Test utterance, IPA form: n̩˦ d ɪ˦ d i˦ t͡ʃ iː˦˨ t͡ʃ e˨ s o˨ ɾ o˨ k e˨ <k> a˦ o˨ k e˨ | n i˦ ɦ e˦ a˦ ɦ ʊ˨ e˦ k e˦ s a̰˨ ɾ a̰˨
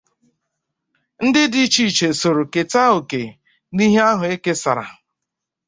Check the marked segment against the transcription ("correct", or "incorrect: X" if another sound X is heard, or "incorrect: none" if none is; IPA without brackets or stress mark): incorrect: t